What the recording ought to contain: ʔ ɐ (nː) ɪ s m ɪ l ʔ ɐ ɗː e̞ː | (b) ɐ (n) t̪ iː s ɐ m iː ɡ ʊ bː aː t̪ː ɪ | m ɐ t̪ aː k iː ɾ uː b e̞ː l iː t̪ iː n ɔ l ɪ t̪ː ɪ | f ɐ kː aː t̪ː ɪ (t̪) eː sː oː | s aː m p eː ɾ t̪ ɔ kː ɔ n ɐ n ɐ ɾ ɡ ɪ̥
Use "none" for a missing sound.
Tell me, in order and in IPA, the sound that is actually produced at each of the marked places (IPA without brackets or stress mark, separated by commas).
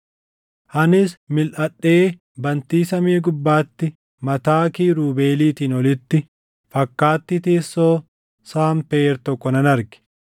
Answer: n, b, n, t̪